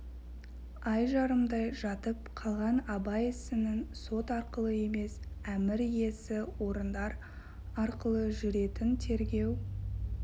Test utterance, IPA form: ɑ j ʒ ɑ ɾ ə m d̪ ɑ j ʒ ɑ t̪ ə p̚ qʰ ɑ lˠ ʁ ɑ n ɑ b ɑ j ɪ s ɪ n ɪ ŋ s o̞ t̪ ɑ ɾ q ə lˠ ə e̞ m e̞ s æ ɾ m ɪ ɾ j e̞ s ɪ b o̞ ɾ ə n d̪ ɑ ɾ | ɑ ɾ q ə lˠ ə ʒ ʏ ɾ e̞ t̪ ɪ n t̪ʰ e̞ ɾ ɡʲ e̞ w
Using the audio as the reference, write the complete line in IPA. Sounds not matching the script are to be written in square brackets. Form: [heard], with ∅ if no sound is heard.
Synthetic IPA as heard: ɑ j ʒ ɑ ɾ ə m d̪ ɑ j ʒ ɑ t̪ ə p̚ qʰ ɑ lˠ ʁ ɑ n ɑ b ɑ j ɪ s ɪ n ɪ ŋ s o̞ t̪ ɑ ɾ q ə lˠ ə e̞ m e̞ s æ [∅] m ɪ ɾ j e̞ s ɪ [w] o̞ ɾ ə n d̪ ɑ ɾ | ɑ ɾ q ə lˠ ə ʒ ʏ ɾ e̞ t̪ ɪ n t̪ʰ e̞ ɾ ɡʲ e̞ w